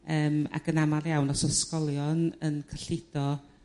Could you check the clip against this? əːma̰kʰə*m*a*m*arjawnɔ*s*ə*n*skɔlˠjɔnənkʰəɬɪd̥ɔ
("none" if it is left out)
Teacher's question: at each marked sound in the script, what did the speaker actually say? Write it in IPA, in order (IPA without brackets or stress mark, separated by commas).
n, m, s, none